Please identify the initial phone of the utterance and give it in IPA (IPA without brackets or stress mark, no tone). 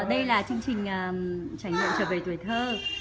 ɗ